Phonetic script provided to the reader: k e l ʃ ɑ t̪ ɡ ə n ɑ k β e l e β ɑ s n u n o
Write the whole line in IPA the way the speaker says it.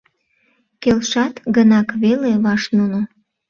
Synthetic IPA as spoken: k e l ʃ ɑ t̪ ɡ ə n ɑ k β e l e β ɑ ʃ n u n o